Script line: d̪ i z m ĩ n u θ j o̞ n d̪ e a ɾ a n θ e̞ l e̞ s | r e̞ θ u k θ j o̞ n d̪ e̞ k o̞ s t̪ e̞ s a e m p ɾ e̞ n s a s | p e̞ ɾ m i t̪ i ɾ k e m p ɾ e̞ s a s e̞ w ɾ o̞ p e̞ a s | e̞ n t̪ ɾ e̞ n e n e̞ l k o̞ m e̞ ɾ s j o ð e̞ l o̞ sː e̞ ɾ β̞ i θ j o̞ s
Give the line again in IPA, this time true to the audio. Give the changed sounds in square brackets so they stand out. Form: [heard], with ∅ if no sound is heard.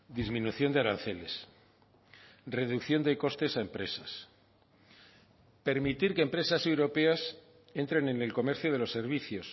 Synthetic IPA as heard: d̪ i z m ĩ n u θ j o̞ n d̪ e a ɾ a n θ e̞ l e̞ s | r e̞ [ð] u k θ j o̞ n d̪ e̞ k o̞ s t̪ e̞ s a e m p ɾ e̞ [∅] s a s | p e̞ ɾ m i t̪ i ɾ k e m p ɾ e̞ s a s e̞ w ɾ o̞ p e̞ a s | e̞ n t̪ ɾ e̞ n e n e̞ l k o̞ m e̞ ɾ [θ] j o ð e̞ l o̞ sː e̞ ɾ β̞ i θ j o̞ s